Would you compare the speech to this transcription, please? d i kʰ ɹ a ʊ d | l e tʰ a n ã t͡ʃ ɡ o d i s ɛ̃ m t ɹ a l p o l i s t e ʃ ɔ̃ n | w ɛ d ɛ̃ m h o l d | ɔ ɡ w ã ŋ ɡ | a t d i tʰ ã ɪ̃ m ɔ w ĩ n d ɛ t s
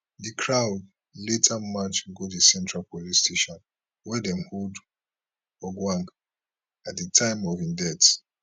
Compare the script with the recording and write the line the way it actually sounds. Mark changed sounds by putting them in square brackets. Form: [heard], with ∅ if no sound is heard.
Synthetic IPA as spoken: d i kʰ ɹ a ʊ d | l e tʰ a [m] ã t͡ʃ ɡ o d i s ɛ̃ [n] t ɹ a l p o l i s t e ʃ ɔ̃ n | w ɛ d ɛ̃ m h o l d | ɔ ɡ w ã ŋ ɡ | a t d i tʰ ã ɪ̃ m ɔ [v] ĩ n d ɛ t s